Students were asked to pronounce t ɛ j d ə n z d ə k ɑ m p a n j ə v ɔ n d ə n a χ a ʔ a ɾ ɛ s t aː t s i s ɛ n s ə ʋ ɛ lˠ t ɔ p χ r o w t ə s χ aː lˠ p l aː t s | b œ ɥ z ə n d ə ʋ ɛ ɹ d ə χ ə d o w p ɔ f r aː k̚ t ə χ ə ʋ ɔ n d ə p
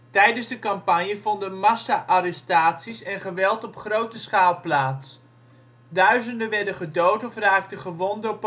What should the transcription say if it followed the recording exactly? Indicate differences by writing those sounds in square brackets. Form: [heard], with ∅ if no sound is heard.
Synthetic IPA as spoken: t ɛ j d ə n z d ə k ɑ m p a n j ə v ɔ n d ə [m] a [s] a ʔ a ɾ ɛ s t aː t s i s ɛ n [χ] ə ʋ ɛ lˠ t ɔ p χ r o w t ə s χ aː lˠ p l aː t s | [d] œ ɥ z ə n d ə ʋ ɛ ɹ d ə χ ə d o w [t] ɔ f r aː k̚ t ə χ ə ʋ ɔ n d ə p